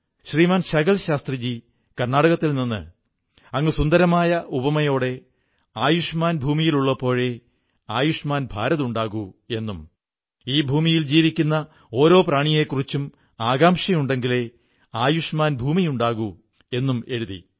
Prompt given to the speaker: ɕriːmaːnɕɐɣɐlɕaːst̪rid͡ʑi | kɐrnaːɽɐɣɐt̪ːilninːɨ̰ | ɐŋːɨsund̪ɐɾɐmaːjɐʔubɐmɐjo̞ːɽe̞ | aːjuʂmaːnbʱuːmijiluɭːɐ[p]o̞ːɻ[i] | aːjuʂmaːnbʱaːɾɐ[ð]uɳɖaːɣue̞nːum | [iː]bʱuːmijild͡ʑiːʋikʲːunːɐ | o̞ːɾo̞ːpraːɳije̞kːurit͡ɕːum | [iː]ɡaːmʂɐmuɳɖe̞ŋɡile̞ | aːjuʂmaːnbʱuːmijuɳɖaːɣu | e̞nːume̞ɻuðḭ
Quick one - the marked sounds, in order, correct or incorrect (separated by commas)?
correct, incorrect, correct, correct, incorrect